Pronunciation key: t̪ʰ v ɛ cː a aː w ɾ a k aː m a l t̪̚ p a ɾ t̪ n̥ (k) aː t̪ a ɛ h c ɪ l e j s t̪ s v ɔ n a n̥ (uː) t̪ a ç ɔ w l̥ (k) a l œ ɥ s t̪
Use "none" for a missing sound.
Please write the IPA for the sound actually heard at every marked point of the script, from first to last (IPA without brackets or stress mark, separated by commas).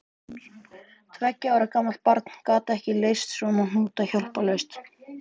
k, uː, p